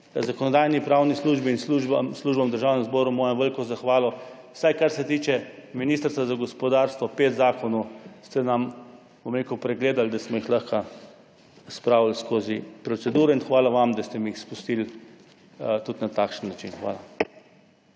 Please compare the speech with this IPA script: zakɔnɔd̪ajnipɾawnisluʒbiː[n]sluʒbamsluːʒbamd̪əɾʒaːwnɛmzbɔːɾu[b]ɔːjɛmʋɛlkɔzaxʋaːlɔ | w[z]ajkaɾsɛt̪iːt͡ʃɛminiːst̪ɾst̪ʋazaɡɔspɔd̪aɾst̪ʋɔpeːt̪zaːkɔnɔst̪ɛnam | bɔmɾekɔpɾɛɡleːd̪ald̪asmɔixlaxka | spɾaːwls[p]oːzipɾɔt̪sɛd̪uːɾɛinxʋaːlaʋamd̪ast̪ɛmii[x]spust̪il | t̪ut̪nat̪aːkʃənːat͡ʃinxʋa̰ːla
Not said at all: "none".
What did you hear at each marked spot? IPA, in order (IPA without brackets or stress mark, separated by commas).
n, m, s, k, x